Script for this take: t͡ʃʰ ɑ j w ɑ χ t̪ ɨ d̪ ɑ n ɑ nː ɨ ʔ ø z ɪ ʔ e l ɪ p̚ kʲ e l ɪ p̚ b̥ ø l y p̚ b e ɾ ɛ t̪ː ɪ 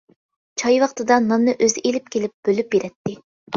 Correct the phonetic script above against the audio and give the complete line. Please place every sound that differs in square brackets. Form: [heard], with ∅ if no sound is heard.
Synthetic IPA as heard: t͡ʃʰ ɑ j w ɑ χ t̪ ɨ d̪ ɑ n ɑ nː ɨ ʔ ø z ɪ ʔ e l ɪ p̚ kʲ e l ɪ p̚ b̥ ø l y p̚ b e ɾ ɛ t̪ː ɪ